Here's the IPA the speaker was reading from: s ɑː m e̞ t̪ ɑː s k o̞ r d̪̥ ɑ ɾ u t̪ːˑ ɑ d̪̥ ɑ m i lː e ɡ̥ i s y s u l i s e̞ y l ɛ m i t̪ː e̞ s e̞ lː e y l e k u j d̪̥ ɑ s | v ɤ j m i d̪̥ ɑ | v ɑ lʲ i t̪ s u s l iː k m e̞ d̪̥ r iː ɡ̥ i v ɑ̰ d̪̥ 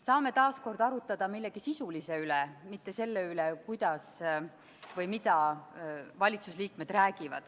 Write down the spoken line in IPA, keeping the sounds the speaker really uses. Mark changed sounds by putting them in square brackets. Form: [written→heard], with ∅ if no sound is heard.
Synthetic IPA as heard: s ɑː m e̞ t̪ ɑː s k o̞ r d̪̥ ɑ ɾ u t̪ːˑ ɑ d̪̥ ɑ m i lː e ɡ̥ i s [y→i] s u l i s e̞ y l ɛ m i t̪ː e̞ s e̞ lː e y l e k u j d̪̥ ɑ s | v ɤ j m i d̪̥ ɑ | v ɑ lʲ i t̪ s u s l iː k m e̞ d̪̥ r [iː→æː] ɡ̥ i v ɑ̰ d̪̥